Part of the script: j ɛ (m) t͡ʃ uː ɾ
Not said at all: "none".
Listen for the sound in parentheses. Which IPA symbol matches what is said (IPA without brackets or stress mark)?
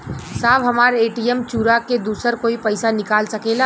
m